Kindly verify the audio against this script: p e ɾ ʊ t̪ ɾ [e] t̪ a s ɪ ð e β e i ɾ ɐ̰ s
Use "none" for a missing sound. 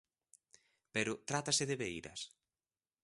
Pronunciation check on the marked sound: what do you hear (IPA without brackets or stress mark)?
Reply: a